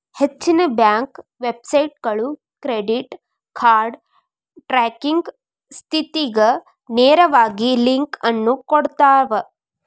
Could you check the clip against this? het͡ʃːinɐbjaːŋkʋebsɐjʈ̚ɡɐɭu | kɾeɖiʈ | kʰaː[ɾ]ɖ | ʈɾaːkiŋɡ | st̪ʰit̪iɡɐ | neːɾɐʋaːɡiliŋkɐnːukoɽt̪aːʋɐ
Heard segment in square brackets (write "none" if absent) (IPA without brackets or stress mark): ɾ